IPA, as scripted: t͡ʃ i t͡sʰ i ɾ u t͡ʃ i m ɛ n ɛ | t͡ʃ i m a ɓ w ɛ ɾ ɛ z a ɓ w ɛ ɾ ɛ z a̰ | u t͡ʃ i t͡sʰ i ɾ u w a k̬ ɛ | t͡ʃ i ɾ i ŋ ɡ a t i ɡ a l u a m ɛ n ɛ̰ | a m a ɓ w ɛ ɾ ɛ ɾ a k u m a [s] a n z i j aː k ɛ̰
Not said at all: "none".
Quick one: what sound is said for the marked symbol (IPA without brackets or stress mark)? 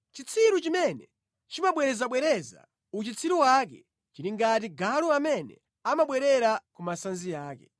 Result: s